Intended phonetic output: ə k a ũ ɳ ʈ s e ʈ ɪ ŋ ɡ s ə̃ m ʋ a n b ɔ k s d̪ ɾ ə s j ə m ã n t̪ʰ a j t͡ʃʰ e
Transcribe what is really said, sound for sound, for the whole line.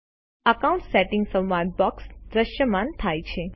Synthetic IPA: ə k a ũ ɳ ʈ s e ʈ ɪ ŋ ɡ s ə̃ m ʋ a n b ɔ k s d̪ ɾ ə ʃ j ə m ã n t̪ʰ a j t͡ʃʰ e